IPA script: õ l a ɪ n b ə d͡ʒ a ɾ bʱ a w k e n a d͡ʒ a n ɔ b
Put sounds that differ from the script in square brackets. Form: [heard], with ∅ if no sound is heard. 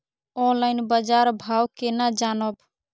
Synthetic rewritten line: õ l a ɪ n b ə d͡ʒ a ɾ bʱ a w k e n a d͡ʒ a n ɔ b